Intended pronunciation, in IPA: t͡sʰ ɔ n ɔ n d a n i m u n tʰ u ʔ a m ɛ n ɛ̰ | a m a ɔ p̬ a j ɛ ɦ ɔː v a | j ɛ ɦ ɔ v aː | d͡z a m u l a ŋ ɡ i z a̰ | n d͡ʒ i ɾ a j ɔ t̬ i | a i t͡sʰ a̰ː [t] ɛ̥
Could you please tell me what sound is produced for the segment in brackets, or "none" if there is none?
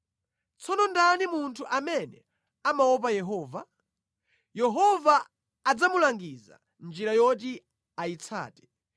t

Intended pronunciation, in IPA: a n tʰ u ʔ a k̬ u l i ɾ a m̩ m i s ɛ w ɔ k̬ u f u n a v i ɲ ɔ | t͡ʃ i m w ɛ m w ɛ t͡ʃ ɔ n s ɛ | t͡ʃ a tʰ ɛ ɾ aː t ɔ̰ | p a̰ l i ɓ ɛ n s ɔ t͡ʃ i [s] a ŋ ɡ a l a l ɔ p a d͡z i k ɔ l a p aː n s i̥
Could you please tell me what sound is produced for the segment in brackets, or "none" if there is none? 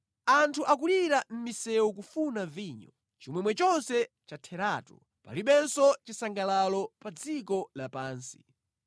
s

